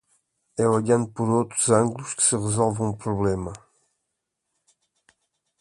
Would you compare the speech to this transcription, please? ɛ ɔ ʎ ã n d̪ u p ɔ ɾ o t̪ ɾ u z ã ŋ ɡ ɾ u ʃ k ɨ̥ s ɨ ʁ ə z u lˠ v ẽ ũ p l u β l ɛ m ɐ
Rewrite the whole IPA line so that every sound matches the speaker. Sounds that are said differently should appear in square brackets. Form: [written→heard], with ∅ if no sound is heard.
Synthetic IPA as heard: ɛ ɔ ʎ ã n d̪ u p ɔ ɾ o t̪ ɾ u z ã ŋ ɡ [ɾ→l] u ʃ k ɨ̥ s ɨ ʁ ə z [u→ɔ] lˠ v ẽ ũ p [l→ɾ] u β l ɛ m ɐ

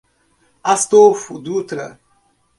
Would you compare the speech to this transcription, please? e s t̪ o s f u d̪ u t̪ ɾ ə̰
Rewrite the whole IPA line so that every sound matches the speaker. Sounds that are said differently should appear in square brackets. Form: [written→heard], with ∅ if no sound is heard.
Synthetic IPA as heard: [e→a] s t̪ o [s→∅] f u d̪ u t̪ ɾ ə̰

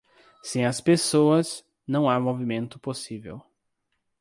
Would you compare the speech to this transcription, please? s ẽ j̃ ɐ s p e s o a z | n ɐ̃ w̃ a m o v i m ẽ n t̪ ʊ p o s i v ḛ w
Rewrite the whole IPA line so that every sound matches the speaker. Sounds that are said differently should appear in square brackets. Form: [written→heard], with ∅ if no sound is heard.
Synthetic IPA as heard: s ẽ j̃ ɐ s p e s o [a→ɐ] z | n ɐ̃ w̃ a m o v i m ẽ n t̪ ʊ p o s i v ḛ w

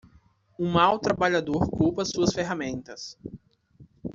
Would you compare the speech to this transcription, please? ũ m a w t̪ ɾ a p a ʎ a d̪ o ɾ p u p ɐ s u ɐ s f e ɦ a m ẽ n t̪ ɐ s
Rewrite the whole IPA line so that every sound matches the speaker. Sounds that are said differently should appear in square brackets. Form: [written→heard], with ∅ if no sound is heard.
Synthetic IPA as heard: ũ m a w t̪ ɾ a [p→b] a ʎ a d̪ o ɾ [p→k] u p ɐ s u ɐ s f e ɦ a m ẽ n t̪ ɐ s

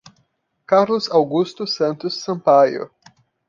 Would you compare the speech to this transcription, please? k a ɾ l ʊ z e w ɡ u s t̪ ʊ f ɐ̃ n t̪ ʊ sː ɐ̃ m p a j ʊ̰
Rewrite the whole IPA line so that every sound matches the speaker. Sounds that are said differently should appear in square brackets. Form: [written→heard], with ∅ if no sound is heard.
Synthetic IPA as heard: k a ɾ l ʊ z [e→a] w ɡ u s t̪ ʊ [f→s] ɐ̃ n t̪ ʊ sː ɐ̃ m p a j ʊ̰

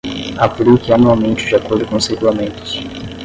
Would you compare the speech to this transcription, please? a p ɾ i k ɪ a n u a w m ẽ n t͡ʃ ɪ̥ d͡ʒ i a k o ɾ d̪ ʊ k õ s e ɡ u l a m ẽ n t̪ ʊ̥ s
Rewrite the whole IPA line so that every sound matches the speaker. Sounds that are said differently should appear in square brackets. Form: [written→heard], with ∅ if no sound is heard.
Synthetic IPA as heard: a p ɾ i k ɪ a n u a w m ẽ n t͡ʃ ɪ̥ d͡ʒ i a k o ɾ d̪ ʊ k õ s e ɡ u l a m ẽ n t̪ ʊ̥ s

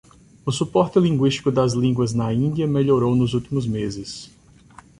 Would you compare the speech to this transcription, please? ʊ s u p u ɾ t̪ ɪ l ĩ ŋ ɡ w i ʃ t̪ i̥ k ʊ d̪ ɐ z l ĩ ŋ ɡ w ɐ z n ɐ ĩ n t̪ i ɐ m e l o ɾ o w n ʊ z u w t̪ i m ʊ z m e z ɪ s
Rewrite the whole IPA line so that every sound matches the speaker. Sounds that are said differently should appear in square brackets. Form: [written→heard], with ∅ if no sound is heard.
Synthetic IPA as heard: ʊ s u p [u→ɔ] ɾ t̪ ɪ l ĩ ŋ ɡ w i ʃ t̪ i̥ k ʊ d̪ ɐ z l ĩ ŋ ɡ w ɐ z n ɐ ĩ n [t̪→d̪] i ɐ m e [l→ʎ] o ɾ o w n ʊ z u w t̪ i m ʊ z m e z ɪ s

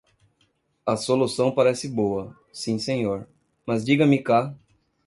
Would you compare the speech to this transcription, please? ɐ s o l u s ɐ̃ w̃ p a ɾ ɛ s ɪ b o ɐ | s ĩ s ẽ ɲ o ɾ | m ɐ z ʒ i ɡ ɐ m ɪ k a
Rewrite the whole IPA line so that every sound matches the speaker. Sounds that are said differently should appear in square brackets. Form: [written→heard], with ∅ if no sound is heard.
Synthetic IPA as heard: ɐ s o l u s ɐ̃ w̃ p a ɾ ɛ s ɪ b o ɐ | s ĩ s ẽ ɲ o ɾ | m ɐ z [ʒ→d͡ʒ] i ɡ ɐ m ɪ k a

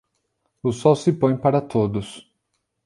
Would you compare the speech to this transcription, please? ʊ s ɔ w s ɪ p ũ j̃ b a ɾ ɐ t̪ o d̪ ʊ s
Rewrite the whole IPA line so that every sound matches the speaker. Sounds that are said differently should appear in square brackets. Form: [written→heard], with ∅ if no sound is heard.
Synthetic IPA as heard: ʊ s ɔ w s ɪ p [ũ→õ] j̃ [b→p] a ɾ ɐ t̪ o d̪ ʊ s

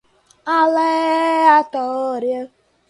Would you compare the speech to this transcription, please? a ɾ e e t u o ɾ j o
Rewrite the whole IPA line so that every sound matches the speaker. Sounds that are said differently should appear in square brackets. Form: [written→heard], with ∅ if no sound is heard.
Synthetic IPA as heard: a [ɾ→l] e [e→a] t [u→ɔ] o ɾ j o

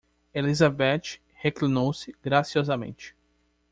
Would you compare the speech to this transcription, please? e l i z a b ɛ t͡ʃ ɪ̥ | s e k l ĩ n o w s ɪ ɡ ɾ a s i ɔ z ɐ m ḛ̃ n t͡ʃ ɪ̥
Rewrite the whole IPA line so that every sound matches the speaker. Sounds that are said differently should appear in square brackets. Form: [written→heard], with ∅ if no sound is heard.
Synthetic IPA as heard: e l i z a b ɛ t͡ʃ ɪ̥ | [s→h] e k l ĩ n o w s ɪ ɡ ɾ a s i ɔ z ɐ m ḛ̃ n t͡ʃ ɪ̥

